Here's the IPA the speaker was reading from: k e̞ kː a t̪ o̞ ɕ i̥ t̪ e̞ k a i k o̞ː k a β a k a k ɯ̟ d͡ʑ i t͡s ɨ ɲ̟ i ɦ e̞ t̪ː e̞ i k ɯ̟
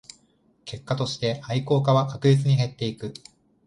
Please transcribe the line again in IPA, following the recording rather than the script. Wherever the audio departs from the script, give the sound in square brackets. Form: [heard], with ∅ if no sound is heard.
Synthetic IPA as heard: k e̞ kː a t̪ o̞ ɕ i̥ t̪ e̞ [∅] a i k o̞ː k a β a k a k ɯ̟ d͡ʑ i t͡s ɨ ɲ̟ i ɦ e̞ t̪ː e̞ i k ɯ̟

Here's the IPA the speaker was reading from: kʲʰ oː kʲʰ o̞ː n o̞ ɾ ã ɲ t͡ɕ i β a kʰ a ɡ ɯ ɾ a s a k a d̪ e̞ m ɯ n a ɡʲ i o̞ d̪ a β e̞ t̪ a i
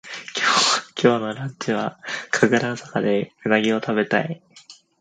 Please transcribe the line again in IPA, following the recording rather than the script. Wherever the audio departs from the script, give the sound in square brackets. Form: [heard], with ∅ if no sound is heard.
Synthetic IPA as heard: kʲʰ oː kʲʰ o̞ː n o̞ ɾ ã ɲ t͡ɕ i β a kʰ a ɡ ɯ ɾ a s a k a d̪ e̞ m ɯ n a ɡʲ i o̞ [t̪] a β e̞ t̪ a i

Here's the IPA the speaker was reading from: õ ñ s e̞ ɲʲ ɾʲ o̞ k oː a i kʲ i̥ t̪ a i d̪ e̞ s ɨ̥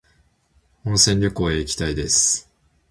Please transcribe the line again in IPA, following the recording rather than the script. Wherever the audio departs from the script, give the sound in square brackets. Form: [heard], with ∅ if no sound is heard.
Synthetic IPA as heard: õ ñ s [ẽ̞] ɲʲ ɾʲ o̞ k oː [e] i kʲ i̥ t̪ a i d̪ e̞ s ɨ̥

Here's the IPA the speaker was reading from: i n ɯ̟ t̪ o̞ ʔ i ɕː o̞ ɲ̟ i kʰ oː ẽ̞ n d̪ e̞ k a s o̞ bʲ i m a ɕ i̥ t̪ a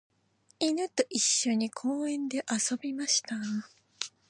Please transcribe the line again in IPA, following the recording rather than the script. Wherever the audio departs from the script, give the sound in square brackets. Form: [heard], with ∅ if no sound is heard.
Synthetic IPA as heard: i n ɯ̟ t̪ o̞ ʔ i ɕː o̞ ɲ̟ i kʰ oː ẽ̞ n d̪ e̞ [ʔ] a s o̞ bʲ i m a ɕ i̥ t̪ a

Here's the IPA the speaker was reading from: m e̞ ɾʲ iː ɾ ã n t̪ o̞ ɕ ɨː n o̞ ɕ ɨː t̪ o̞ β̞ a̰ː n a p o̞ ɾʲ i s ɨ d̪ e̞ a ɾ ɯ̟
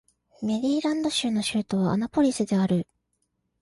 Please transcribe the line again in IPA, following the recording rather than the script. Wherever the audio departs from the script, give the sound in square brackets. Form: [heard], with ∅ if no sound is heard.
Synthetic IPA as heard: m e̞ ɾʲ iː ɾ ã n [d̪] o̞ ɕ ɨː n o̞ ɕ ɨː t̪ o̞ β̞ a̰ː n a p o̞ ɾʲ i s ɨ d̪ e̞ a ɾ ɯ̟

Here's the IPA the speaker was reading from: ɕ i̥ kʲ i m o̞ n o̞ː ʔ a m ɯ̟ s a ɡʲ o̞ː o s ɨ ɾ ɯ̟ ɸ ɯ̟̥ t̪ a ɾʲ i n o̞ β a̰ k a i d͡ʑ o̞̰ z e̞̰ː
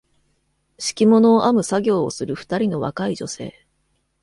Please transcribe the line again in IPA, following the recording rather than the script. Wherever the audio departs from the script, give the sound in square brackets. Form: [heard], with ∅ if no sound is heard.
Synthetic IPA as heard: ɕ i̥ kʲ i m o̞ n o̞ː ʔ a m ɯ̟ s a ɡʲ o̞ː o s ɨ ɾ ɯ̟ ɸ ɯ̟̥ t̪ a ɾʲ i n o̞ β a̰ k a i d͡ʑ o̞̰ [s] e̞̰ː

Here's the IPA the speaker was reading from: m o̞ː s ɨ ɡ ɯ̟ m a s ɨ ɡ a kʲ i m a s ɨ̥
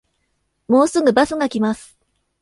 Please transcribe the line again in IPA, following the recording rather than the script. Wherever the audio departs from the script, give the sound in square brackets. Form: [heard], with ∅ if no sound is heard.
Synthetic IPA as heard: m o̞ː s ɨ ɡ ɯ̟ [b] a s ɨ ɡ a kʲ i m a s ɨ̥

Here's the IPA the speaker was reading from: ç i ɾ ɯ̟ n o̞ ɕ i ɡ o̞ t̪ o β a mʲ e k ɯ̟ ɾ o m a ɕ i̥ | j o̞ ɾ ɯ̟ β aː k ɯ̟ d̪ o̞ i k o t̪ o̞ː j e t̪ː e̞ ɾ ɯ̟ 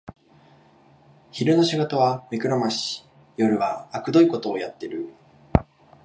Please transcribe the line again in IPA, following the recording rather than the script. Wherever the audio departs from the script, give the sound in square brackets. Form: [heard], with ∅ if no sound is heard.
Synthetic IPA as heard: ç i ɾ ɯ̟ n o̞ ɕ i ɡ o̞ t̪ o β a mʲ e k ɯ̟ ɾ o m a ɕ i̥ | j o̞ ɾ ɯ̟ β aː k ɯ̟ d̪ o̞ i k o t̪ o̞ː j [a] t̪ː e̞ ɾ ɯ̟

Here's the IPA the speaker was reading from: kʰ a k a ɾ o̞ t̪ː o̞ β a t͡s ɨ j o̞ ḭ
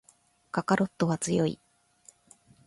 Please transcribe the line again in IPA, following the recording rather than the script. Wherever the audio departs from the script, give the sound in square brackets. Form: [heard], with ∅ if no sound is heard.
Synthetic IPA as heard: [k] a k a ɾ o̞ t̪ː o̞ β a t͡s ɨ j o̞ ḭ

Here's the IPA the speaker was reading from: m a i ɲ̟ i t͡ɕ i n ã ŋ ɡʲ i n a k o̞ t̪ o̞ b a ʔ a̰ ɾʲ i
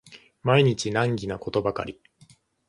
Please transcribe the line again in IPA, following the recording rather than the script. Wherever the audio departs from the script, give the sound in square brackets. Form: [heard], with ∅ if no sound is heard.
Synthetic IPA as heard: m a i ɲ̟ i t͡ɕ i n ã ŋ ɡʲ i n a k o̞ t̪ o̞ b a [k] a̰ ɾʲ i

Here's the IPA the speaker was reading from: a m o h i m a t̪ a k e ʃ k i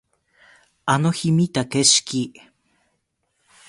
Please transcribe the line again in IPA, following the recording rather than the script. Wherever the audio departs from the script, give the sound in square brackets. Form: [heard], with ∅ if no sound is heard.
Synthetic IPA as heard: a [n] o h i m [i] t̪ a k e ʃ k i

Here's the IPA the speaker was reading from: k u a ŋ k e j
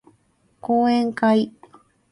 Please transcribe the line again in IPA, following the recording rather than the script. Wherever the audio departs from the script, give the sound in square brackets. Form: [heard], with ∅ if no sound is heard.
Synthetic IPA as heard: k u [e] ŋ k [a] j

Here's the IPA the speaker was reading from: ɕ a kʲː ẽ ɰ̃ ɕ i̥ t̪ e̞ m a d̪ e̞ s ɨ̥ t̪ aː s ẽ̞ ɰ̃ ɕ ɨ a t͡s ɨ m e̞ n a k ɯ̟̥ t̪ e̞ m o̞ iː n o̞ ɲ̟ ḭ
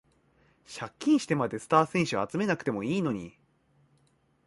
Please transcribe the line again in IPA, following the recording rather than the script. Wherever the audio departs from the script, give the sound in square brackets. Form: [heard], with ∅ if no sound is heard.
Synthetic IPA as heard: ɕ a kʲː [ĩ] ɰ̃ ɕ i̥ t̪ e̞ m a d̪ e̞ s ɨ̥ t̪ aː s ẽ̞ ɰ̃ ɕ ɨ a t͡s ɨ m e̞ n a k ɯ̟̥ t̪ e̞ m o̞ iː n o̞ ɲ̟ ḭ

